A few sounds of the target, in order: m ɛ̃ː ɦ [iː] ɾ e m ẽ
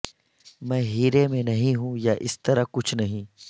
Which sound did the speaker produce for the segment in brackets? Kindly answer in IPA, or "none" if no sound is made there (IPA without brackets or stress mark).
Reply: iː